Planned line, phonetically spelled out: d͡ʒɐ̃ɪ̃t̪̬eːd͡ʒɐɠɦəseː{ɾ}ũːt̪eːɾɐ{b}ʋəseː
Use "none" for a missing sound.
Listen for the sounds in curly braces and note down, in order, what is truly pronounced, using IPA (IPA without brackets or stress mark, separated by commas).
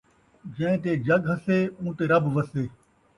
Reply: none, b